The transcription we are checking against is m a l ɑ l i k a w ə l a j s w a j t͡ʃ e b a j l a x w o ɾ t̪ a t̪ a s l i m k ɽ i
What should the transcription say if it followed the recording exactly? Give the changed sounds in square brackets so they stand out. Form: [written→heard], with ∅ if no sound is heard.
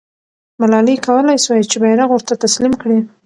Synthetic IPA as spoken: m a l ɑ l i k a w ə l a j s w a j t͡ʃ e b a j [l→ɾ] a [x→ɣ] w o ɾ t̪ a t̪ a s l i m k ɽ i